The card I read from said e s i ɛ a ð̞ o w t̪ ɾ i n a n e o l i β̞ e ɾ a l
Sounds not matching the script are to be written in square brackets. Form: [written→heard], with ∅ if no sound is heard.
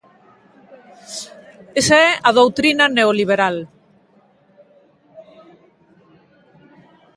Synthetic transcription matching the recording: e s [i→a] ɛ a ð̞ o w t̪ ɾ i n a n e o l i β̞ e ɾ a l